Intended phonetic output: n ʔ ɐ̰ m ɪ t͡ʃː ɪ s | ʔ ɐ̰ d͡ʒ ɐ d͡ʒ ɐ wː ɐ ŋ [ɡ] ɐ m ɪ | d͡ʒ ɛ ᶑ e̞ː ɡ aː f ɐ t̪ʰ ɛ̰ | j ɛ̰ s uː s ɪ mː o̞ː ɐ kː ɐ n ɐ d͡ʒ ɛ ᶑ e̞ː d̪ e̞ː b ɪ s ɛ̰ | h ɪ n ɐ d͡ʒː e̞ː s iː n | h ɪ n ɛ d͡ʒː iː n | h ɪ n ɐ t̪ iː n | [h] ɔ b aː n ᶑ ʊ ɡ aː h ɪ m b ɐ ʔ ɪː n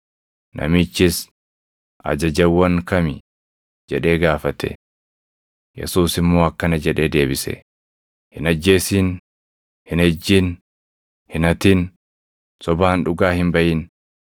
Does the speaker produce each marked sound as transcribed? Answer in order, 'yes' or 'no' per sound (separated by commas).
no, no